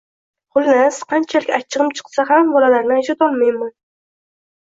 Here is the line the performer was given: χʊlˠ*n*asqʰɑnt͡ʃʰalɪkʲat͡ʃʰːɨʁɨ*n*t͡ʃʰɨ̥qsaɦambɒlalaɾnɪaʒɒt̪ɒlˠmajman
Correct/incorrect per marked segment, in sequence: correct, incorrect

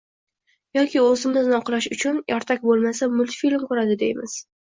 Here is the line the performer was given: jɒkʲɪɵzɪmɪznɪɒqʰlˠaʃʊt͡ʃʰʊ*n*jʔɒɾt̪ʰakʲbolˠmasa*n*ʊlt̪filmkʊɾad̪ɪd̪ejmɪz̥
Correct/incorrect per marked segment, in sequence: correct, incorrect

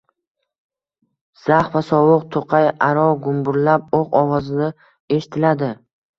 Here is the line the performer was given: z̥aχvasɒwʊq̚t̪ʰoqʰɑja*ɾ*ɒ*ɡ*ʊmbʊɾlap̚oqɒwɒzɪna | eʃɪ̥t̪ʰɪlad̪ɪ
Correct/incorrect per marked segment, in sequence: correct, correct

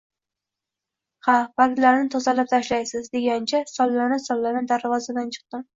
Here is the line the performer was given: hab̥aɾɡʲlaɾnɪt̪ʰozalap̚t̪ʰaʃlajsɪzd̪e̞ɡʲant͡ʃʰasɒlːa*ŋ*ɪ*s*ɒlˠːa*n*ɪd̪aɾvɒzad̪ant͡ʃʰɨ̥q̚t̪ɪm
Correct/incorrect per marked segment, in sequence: incorrect, correct, correct

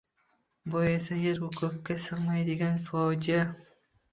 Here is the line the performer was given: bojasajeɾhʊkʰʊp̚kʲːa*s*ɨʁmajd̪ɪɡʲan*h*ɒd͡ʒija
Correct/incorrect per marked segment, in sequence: correct, incorrect

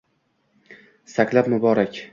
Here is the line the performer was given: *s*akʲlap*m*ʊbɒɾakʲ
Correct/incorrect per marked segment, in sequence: correct, correct

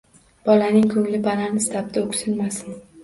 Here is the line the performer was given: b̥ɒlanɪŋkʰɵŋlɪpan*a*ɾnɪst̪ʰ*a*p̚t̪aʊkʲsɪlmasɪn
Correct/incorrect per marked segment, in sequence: correct, correct

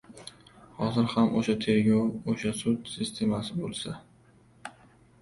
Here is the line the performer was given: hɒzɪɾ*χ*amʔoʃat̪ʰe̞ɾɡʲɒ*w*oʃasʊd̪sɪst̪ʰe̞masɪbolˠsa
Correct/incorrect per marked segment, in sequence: incorrect, correct

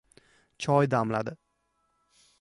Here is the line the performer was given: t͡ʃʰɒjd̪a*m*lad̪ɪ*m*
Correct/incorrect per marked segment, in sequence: correct, incorrect

